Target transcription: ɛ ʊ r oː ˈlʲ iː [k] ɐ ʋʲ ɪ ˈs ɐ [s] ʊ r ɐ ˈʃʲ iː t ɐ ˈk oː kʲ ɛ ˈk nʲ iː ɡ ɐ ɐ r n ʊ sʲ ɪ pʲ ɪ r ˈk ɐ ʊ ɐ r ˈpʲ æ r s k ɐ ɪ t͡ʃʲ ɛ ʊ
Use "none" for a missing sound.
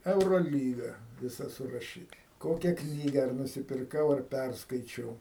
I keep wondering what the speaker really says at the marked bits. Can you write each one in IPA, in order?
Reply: ɡ, s

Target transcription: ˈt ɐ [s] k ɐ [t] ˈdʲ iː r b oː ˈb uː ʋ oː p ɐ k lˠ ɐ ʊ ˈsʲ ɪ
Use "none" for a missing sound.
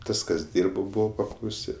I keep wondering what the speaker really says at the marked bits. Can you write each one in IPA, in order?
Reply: s, s

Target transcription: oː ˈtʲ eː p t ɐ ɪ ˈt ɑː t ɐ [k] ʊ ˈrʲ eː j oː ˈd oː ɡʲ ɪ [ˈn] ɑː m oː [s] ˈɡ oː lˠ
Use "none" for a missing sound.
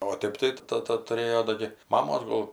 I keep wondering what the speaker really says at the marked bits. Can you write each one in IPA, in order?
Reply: t, m, s

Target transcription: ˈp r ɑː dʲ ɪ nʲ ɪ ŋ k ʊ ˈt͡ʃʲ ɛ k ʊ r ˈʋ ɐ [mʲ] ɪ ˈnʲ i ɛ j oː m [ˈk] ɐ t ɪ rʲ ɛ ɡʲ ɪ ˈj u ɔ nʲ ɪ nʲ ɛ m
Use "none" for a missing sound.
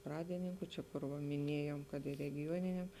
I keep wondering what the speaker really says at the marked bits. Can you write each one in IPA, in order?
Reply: mʲ, k

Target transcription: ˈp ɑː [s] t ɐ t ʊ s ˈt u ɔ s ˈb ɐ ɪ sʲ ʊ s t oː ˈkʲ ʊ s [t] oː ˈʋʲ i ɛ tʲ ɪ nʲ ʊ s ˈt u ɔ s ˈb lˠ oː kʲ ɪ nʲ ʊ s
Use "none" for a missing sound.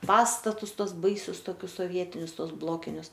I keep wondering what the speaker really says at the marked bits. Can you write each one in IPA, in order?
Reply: s, s

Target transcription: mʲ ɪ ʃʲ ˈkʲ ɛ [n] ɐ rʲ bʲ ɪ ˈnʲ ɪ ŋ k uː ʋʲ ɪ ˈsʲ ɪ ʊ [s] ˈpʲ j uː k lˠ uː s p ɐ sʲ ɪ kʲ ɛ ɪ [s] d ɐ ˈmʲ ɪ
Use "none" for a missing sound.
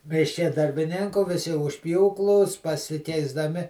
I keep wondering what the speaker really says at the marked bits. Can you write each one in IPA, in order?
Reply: d, ʃ, z

